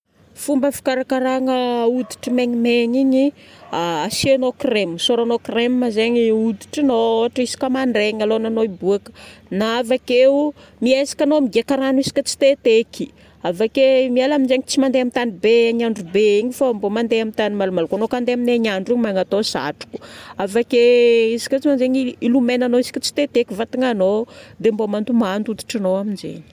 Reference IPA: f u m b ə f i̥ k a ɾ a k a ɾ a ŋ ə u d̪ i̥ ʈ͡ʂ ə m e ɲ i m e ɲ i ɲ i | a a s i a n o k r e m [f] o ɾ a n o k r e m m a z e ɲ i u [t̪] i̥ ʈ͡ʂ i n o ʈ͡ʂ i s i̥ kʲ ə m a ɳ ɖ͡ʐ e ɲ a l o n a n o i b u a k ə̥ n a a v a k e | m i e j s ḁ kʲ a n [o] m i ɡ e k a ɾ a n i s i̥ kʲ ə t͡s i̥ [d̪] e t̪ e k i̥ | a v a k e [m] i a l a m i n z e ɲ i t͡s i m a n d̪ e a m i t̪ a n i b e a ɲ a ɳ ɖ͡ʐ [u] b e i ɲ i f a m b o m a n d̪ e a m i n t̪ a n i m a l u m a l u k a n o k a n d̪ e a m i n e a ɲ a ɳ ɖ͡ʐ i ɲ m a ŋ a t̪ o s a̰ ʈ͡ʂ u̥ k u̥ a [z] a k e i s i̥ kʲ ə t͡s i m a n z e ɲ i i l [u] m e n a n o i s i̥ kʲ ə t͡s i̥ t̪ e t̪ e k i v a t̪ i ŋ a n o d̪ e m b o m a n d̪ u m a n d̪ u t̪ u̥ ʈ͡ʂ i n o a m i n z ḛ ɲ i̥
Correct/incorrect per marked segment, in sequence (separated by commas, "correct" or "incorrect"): incorrect, incorrect, correct, incorrect, correct, correct, incorrect, correct